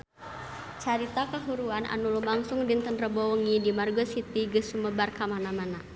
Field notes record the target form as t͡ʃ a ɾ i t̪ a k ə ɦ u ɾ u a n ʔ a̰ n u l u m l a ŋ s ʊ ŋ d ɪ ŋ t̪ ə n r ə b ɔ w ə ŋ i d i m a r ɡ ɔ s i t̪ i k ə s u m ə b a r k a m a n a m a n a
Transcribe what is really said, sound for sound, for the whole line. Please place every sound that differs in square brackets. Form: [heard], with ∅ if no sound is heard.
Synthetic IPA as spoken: t͡ʃ a ɾ i t̪ a k ə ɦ u ɾ u a n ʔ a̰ n u l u m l a ŋ s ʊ ŋ d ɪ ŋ t̪ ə n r ə b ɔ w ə ŋ i d i m a r ɡ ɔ s i t̪ i [ɡ] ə s u m ə b a r k a m a n a m a n a